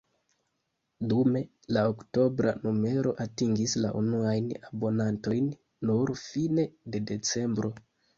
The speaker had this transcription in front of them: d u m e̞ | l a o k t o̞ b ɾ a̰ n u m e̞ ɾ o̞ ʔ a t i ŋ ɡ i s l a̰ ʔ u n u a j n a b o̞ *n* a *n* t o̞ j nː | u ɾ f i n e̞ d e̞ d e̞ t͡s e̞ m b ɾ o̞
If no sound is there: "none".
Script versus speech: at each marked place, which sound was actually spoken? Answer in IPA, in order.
n, n

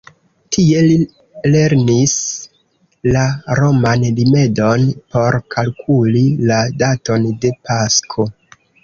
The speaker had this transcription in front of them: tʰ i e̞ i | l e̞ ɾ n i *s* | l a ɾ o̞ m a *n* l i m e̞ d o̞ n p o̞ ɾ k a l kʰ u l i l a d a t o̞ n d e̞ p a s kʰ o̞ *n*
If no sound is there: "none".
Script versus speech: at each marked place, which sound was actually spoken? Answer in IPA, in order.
s, n, none

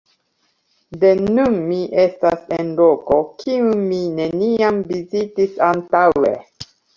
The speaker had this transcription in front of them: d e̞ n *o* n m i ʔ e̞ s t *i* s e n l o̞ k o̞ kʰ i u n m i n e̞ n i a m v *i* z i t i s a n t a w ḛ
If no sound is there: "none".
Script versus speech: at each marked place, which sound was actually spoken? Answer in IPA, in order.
u, a, i

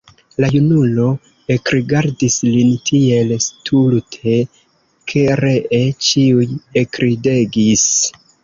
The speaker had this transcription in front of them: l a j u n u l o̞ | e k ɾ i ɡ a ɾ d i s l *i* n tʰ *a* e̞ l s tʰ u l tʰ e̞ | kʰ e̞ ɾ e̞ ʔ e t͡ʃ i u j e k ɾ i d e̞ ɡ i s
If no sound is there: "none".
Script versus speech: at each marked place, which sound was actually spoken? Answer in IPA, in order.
i, i

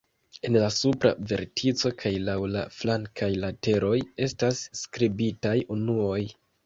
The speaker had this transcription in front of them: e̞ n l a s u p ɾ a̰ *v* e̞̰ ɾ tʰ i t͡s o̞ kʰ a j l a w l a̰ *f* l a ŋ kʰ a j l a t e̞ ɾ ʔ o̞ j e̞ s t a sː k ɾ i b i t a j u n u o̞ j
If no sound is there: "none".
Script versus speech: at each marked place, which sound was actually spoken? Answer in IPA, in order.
v, f

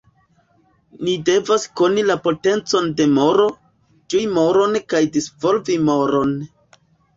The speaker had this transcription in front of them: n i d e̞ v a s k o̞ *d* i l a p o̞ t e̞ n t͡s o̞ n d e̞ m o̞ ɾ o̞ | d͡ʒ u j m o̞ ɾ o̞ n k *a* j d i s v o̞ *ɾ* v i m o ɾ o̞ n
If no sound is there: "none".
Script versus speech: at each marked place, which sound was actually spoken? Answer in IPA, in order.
n, a, l

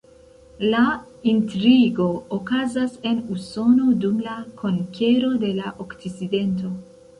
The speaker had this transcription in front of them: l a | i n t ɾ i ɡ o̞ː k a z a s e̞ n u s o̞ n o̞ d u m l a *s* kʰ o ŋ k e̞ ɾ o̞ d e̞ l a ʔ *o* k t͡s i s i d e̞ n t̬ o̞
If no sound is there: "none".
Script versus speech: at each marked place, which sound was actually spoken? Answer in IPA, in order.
none, o

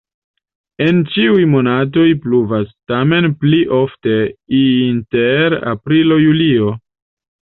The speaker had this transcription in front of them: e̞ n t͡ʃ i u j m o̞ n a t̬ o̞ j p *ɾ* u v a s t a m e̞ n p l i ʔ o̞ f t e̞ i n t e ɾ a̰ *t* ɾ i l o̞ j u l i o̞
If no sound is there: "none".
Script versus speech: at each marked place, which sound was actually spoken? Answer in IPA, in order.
l, p

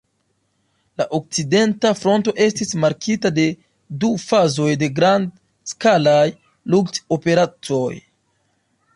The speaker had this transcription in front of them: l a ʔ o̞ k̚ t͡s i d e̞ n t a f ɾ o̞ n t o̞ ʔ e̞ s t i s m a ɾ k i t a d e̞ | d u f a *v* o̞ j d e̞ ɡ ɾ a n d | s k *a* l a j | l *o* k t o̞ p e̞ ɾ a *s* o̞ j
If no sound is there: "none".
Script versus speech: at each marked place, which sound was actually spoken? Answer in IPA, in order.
z, a, u, t͡s

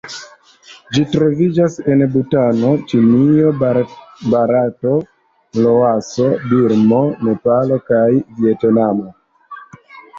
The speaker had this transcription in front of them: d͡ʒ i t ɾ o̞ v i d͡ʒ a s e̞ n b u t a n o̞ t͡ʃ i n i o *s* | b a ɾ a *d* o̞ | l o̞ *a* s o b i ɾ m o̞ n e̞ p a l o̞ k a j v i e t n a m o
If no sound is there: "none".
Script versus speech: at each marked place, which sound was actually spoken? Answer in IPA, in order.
none, t, a

